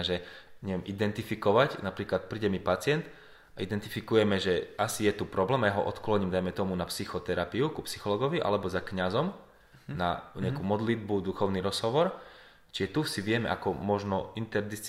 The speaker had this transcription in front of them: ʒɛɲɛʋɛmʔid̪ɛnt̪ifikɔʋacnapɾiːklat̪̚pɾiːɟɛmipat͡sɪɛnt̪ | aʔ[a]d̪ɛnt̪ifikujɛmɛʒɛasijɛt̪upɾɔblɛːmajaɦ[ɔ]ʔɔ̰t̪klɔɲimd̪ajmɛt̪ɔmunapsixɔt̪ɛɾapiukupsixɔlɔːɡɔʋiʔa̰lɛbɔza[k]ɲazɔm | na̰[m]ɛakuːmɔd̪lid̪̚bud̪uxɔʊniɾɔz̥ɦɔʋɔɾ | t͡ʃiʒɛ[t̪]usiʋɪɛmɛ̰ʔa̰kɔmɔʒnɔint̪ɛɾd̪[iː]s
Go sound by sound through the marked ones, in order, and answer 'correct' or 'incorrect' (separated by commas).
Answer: incorrect, correct, correct, incorrect, correct, incorrect